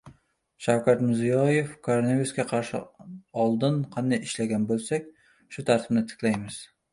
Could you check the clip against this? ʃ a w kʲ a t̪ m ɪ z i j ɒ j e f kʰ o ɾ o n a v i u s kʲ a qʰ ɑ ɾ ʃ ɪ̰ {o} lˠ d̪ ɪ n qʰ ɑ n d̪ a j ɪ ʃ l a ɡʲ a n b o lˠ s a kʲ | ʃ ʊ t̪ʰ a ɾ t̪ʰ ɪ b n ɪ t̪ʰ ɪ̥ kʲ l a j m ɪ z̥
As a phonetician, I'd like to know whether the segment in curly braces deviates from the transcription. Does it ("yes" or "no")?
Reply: yes